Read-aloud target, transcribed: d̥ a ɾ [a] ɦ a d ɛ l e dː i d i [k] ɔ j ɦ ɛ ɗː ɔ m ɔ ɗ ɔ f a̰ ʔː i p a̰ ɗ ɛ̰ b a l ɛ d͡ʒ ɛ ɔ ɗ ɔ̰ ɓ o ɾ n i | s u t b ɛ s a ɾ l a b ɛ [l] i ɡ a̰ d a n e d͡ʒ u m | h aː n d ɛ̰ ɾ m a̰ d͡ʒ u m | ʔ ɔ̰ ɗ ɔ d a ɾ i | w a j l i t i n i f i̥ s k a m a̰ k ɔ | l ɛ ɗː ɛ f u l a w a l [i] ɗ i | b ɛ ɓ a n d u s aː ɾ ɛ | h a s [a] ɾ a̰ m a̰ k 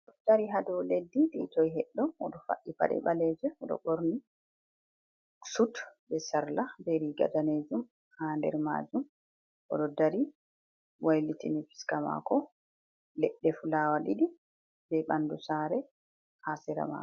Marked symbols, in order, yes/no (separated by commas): no, no, no, yes, no